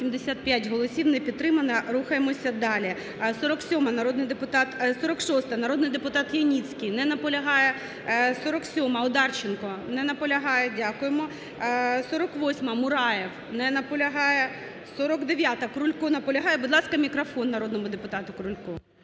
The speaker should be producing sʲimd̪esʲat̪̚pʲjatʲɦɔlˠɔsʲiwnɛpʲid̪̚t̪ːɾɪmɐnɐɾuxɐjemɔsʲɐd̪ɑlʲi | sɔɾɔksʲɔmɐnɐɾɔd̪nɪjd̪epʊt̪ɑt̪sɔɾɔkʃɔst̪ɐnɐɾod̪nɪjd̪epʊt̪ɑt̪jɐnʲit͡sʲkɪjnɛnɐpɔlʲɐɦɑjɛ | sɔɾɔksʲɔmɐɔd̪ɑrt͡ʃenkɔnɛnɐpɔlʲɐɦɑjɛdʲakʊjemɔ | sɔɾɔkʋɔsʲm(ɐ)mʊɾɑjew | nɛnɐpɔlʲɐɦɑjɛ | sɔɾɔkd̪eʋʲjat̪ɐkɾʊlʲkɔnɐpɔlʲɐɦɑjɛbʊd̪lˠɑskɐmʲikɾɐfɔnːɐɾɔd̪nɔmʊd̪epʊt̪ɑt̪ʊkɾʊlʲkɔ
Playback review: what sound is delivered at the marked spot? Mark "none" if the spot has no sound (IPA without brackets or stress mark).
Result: ɐ